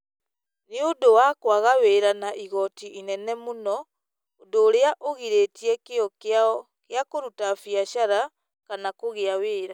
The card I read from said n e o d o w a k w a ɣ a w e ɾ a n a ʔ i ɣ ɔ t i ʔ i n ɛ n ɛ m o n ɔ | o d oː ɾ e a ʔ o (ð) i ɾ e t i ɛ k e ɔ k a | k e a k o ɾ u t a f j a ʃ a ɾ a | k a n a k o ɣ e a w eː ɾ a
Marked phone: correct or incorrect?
incorrect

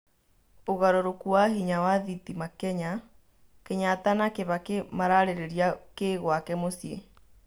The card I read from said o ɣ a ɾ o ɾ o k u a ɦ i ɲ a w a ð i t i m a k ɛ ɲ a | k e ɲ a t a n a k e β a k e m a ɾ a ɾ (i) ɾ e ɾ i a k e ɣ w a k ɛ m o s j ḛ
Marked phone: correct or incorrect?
incorrect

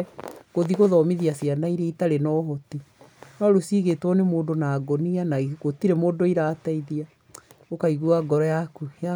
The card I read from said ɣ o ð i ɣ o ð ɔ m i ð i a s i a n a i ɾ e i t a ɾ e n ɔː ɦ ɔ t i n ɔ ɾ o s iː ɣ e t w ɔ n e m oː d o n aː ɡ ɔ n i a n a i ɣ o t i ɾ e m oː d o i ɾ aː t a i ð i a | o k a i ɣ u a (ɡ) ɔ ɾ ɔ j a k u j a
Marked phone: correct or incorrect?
correct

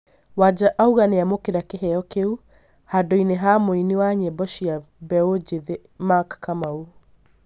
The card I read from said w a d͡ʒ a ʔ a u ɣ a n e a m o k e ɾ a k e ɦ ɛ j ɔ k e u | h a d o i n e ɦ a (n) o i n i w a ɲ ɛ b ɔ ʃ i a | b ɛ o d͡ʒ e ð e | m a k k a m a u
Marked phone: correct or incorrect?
incorrect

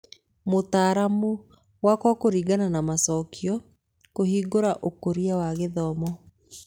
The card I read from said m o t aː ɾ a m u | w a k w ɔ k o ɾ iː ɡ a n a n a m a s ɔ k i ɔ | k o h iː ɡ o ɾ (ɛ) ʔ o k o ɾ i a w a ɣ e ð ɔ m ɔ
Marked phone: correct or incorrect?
incorrect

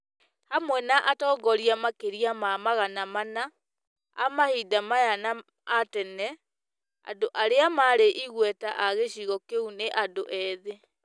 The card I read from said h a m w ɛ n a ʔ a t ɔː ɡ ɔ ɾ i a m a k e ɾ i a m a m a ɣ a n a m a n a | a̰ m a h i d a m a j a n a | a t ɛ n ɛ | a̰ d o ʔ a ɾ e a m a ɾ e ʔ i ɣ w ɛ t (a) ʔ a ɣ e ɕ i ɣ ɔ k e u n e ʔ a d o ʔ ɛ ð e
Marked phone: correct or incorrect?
correct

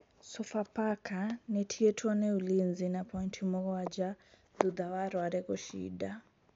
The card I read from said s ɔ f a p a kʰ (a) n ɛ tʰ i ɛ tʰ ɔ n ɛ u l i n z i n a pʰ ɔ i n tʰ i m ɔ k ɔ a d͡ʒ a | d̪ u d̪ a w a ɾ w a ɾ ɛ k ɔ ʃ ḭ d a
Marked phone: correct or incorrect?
correct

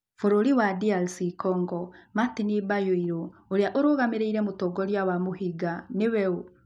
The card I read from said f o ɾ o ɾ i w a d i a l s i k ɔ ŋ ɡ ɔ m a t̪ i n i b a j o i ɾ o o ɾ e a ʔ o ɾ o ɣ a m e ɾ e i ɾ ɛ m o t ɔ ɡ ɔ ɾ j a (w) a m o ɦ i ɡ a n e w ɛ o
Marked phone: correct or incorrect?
correct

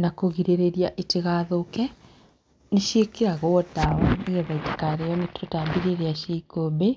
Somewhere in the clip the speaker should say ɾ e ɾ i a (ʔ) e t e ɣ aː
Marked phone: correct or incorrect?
correct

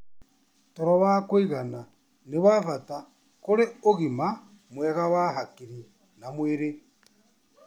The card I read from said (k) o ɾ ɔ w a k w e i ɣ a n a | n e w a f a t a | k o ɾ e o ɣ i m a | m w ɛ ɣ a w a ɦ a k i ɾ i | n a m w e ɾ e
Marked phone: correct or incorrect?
incorrect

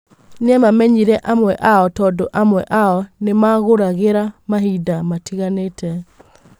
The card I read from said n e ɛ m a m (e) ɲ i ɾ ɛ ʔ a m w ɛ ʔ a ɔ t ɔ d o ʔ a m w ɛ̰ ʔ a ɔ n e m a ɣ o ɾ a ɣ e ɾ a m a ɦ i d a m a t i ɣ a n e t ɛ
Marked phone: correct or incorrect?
incorrect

